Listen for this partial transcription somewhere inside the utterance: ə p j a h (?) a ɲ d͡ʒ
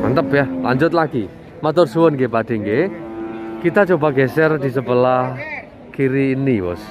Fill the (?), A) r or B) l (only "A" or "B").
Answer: B